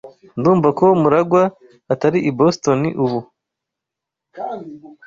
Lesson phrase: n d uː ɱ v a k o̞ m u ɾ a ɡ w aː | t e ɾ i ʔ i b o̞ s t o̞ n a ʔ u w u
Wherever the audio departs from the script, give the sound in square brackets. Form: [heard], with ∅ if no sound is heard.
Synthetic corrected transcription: n d uː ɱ v a k o̞ m u ɾ a ɡ w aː | t [a] ɾ i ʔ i b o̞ s t o̞ n [i] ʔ u [β] u